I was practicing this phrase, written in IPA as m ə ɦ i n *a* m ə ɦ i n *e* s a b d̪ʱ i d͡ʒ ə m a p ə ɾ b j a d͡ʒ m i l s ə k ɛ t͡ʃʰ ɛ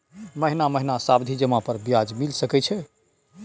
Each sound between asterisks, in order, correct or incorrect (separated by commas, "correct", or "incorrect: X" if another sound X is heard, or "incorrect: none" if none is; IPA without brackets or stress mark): correct, incorrect: a